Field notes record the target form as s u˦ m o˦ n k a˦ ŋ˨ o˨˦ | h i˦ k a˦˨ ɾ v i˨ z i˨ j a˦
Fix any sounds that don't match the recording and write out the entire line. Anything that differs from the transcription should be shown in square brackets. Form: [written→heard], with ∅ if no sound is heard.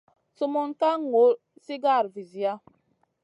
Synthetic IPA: s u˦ m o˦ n k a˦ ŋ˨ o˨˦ | [h→s] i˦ [k→ɡ] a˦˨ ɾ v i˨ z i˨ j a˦